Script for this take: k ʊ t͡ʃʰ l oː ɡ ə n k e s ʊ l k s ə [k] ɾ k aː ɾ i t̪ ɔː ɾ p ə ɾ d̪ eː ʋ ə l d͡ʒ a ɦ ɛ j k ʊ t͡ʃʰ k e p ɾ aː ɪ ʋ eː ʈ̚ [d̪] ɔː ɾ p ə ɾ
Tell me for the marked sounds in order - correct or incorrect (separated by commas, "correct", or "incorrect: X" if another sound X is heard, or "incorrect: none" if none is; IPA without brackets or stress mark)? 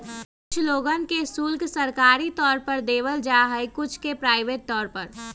incorrect: none, incorrect: t̪